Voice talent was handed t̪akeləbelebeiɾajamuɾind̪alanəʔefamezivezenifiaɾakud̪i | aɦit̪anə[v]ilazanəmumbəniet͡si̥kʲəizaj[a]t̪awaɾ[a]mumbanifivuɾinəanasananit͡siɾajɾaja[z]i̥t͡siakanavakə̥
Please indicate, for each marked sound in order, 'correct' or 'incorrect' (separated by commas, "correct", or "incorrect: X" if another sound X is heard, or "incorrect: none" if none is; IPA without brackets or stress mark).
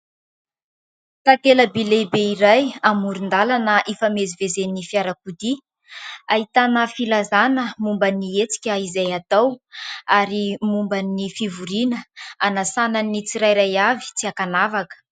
incorrect: f, correct, incorrect: i, incorrect: v